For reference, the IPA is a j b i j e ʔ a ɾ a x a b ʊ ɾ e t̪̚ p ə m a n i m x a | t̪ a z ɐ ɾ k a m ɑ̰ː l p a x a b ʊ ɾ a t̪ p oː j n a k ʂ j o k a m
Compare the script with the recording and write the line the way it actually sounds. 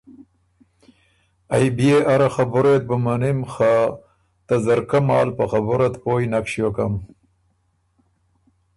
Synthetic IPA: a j b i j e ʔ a ɾ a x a b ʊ ɾ e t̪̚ b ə m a n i m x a | t̪ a z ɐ ɾ k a m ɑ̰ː l p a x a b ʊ ɾ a t̪ p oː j n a k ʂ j o k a m